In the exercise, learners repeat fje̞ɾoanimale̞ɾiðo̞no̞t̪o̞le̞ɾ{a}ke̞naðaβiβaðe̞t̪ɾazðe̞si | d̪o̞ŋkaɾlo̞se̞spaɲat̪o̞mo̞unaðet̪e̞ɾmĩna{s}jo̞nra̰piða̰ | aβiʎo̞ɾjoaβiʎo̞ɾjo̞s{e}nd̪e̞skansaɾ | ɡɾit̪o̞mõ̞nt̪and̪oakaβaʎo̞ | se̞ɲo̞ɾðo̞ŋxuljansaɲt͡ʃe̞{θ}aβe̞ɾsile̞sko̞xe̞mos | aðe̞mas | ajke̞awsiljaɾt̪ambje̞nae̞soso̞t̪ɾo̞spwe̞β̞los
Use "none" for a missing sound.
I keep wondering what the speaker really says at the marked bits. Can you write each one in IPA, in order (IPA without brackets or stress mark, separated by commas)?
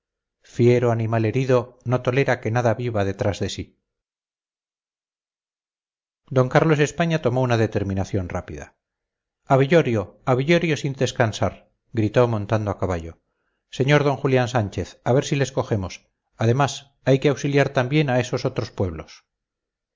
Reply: a, θ, i, θ